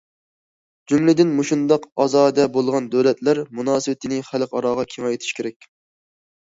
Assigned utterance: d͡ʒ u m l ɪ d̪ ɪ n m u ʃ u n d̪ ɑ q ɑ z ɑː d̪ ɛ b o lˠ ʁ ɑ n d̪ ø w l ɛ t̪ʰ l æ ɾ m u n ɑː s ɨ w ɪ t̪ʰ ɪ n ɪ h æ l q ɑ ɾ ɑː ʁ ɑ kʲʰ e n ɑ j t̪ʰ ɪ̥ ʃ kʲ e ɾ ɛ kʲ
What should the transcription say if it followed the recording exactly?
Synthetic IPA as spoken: d͡ʒ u m l ɪ d̪ ɪ n m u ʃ u n d̪ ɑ q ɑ z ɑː d̪ ɛ b o lˠ ʁ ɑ n d̪ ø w l ɛ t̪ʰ l æ ɾ m u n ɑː s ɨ w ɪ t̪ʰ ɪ n ɪ χ æ l q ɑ ɾ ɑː ʁ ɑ kʲʰ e ŋ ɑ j t̪ʰ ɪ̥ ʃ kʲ e ɾ ɛ kʲ

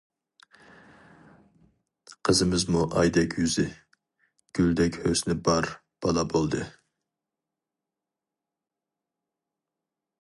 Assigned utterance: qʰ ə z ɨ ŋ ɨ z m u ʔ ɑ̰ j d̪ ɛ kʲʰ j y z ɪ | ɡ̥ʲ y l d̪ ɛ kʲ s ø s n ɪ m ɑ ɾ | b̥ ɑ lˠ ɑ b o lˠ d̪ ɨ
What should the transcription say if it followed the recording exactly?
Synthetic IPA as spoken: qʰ ə z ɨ m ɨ z m u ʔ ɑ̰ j d̪ ɛ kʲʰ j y z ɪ | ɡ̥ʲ y l d̪ ɛ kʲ h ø s n ɪ b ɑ ɾ | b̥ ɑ lˠ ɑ b o lˠ d̪ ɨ

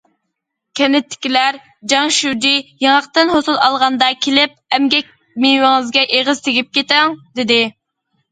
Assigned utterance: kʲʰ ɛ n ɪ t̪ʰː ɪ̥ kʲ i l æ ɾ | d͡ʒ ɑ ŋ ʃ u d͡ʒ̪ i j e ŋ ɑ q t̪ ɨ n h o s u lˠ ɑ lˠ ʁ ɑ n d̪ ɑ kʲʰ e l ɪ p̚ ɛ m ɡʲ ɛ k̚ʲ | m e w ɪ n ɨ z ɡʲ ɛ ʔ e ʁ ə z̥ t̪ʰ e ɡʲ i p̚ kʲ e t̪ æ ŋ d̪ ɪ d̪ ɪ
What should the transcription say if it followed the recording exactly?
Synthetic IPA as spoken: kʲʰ ɛ n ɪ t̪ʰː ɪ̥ kʲ i l æ ɾ | d͡ʒ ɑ ŋ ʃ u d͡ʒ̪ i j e ŋ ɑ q t̪ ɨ n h o s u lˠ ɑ lˠ ʁ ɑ n d̪ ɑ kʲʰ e l ɪ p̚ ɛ m ɡʲ ɛ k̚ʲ | m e w ɪ ŋ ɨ z ɡʲ ɛ ʔ e ʁ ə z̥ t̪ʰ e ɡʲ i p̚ kʲ e t̪ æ ŋ d̪ ɪ d̪ ɪ

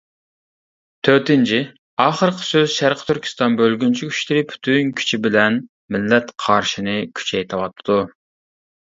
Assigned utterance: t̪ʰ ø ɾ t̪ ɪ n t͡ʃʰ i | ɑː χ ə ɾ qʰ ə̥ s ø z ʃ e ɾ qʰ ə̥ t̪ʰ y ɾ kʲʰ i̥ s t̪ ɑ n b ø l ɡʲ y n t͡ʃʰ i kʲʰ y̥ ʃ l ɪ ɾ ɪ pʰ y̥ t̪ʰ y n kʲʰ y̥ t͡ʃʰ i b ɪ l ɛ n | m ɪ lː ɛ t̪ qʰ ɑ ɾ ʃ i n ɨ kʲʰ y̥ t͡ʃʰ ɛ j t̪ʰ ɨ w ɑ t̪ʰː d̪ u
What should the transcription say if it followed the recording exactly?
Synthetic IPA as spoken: t̪ʰ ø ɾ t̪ ɪ n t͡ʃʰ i | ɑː χ ə ɾ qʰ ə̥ s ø z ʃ æ ɾ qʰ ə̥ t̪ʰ y ɾ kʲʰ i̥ s t̪ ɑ n b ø l ɡʲ y n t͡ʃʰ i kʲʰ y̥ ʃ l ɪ ɾ ɪ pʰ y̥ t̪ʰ y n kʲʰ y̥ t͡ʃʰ i b ɪ l ɛ n | m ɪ lː ɛ t̪ qʰ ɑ ɾ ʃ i n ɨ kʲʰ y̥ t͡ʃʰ ɛ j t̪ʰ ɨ w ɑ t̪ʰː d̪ u

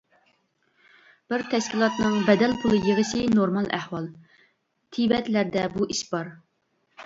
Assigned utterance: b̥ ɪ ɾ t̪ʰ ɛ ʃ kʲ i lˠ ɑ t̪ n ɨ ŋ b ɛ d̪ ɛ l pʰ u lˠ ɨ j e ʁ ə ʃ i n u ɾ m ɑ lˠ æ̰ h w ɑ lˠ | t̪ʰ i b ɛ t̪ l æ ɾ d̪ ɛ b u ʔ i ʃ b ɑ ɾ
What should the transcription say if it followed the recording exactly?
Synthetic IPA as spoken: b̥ ɪ ɾ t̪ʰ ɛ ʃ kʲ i lˠ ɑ t̪ n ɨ ŋ b ɛ d̪ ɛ l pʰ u lˠ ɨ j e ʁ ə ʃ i n o ɾ m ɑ lˠ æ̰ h w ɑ lˠ | t̪ʰ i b ɛ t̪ l æ ɾ d̪ ɛ b u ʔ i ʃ b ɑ ɾ

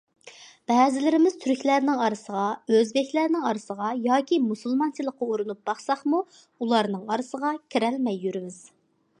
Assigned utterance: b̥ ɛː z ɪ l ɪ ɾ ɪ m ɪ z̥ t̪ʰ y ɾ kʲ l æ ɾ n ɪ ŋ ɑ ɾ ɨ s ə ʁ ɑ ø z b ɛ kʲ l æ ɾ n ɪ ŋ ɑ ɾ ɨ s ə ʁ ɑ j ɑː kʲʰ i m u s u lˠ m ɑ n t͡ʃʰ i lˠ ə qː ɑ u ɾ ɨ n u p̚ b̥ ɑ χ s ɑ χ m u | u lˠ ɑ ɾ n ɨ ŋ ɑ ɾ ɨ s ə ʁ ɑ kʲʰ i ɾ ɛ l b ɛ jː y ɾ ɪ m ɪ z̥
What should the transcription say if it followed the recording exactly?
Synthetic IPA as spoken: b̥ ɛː z ɪ l ɪ ɾ ɪ m ɪ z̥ t̪ʰ y ɾ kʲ l æ ɾ n ɪ ŋ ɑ ɾ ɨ s ə ʁ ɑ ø z b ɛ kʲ l æ ɾ n ɪ ŋ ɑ ɾ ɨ s ə ʁ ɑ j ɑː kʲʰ i m u s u lˠ m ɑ n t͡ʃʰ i lˠ ə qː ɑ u ɾ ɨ n u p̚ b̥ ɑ χ s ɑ χ m u | u lˠ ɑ ɾ n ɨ ŋ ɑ ɾ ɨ s ə ʁ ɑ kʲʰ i ɾ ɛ l m ɛ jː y ɾ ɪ m ɪ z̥

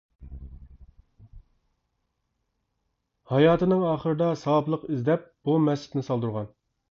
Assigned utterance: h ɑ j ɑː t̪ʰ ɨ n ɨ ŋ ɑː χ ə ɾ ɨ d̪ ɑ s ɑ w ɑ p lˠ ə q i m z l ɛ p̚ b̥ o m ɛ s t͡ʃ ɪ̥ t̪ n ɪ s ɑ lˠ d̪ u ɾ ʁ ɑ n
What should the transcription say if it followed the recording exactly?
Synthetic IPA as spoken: h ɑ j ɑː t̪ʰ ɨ n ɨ ŋ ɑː χ ə ɾ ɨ d̪ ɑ s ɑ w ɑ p lˠ ə q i z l ɛ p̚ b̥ u m ɛ s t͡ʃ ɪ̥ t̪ n ɪ s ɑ lˠ d̪ u ɾ ʁ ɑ n

